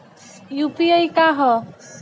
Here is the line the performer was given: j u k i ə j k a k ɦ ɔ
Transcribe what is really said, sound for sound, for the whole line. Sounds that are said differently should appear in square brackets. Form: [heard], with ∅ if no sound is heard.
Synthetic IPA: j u [p] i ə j k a [∅] ɦ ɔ